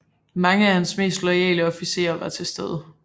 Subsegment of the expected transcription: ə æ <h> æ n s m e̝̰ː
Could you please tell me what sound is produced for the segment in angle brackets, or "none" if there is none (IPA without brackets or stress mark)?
h